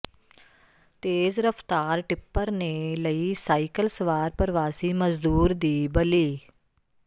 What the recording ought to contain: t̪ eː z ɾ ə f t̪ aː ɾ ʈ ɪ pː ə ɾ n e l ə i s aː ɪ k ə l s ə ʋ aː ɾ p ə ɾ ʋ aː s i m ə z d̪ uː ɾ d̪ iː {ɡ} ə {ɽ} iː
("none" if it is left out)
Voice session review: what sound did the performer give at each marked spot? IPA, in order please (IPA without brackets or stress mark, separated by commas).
b, l